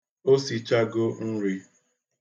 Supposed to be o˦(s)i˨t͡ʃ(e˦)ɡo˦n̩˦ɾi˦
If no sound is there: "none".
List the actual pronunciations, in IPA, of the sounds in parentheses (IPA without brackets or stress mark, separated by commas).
s, a˦